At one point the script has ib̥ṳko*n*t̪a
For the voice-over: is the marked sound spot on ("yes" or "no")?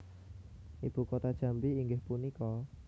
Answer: no